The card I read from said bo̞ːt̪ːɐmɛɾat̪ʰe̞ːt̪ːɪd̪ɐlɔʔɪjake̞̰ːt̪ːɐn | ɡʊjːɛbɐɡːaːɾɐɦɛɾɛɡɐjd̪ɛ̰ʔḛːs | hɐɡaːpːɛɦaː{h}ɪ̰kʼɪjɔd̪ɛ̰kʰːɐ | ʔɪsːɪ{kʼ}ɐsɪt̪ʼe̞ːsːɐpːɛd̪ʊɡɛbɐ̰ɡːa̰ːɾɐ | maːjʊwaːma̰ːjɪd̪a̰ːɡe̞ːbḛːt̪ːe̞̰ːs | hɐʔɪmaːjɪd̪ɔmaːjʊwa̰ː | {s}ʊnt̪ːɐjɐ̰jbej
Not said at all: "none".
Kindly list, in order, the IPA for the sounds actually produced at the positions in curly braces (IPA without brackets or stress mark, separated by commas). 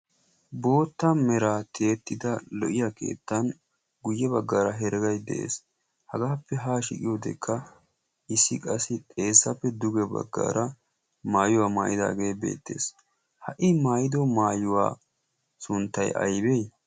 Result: ʃ, kʼ, s